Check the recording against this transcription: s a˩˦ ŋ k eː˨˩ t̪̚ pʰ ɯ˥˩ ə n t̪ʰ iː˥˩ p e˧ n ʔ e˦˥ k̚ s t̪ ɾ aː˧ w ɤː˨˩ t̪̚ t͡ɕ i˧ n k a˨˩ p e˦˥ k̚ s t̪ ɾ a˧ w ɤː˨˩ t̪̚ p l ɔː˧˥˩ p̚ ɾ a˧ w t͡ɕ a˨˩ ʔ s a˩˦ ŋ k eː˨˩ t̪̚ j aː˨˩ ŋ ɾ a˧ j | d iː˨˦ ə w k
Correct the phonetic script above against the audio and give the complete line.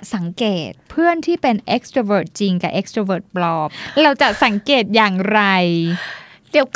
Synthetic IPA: s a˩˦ ŋ k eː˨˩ t̪̚ pʰ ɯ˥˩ ə n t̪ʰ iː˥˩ p e˧ n ʔ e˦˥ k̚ s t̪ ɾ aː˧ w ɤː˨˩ t̪̚ t͡ɕ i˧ ŋ k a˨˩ ʔ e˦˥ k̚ s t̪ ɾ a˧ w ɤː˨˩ t̪̚ p l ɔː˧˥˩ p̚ ɾ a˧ w t͡ɕ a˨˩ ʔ s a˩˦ ŋ k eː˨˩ t̪̚ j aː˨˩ ŋ ɾ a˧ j | d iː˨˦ ə w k